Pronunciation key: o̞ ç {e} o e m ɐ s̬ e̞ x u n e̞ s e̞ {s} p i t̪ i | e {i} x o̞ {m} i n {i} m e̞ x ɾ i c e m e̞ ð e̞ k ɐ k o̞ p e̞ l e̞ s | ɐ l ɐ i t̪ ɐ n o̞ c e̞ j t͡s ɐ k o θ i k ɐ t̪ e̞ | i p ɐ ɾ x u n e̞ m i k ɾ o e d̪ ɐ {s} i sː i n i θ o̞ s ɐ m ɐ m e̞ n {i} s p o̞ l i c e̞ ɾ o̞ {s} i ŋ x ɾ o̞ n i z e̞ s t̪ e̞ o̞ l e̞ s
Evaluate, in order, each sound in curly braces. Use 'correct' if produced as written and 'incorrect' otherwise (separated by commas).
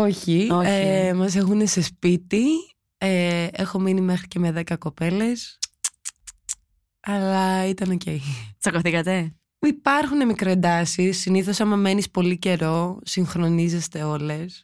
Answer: incorrect, correct, incorrect, correct, correct, correct, correct, correct